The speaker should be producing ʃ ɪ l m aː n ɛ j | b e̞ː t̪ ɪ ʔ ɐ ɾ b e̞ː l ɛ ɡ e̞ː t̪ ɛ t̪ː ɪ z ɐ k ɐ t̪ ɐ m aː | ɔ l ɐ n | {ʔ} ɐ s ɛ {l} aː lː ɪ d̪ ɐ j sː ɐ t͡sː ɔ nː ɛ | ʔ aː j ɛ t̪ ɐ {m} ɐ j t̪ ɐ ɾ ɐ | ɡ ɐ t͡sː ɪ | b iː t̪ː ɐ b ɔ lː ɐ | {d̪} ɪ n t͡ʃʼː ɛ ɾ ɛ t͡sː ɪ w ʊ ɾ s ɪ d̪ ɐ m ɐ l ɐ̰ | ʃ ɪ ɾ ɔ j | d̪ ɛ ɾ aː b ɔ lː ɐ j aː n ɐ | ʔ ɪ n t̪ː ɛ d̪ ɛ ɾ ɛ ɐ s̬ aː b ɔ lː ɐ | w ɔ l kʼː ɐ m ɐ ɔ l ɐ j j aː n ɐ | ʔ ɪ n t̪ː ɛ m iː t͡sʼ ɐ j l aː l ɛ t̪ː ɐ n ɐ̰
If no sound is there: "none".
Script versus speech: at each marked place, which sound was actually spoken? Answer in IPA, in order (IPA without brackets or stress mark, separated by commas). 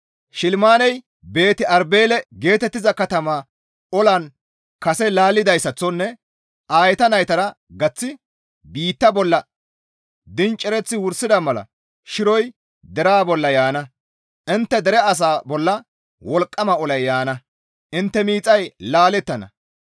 k, l, n, d̪